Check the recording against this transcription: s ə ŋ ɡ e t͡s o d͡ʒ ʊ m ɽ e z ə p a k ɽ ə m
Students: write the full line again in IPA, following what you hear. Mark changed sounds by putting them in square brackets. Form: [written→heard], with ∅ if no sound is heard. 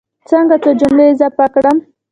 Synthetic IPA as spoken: [s→t͡s] ə ŋ ɡ [e→a] t͡s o d͡ʒ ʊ m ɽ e z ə p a k ɽ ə m